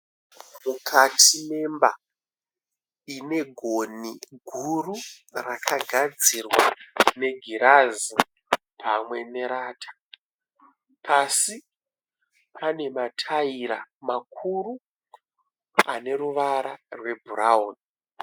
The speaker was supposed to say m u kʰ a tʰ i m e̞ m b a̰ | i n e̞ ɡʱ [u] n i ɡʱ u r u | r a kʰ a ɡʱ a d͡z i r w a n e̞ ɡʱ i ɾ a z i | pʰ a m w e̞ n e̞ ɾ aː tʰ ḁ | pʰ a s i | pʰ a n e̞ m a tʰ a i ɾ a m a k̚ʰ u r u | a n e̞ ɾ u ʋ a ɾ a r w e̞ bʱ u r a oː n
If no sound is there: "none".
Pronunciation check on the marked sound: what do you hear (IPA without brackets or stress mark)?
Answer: o